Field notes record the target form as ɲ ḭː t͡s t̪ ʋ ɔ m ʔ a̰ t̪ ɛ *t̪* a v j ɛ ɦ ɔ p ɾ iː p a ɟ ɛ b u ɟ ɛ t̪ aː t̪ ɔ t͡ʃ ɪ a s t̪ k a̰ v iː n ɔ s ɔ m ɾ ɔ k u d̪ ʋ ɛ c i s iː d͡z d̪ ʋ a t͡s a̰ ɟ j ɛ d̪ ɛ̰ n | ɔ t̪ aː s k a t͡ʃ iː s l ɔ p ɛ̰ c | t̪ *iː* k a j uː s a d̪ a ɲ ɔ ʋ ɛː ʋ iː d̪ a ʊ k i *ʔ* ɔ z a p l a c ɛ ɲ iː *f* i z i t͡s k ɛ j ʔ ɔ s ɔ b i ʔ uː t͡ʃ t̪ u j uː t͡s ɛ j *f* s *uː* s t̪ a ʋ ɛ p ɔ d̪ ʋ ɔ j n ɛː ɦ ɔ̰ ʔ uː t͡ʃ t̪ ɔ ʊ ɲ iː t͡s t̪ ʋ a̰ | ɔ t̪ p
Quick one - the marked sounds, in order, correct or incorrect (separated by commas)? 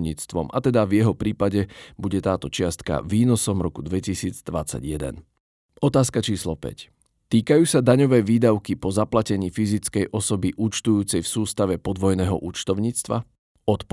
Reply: incorrect, correct, incorrect, correct, correct, correct